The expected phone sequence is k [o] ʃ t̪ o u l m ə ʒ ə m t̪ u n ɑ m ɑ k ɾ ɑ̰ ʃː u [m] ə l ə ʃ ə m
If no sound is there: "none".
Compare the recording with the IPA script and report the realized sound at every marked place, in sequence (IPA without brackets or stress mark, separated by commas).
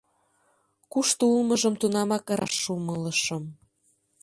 u, m